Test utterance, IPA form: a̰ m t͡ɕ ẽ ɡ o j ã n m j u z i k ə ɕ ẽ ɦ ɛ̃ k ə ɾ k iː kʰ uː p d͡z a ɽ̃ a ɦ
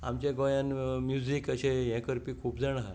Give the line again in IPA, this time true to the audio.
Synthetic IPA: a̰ m t͡ɕ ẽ ɡ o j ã n m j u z i k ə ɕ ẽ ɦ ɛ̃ k ə ɾ p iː kʰ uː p d͡z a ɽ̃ a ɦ